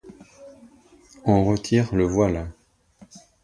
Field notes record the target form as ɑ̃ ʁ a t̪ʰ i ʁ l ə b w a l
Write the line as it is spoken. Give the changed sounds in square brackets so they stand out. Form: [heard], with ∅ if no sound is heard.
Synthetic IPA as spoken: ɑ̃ ʁ [ə] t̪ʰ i ʁ l ə [v] w a l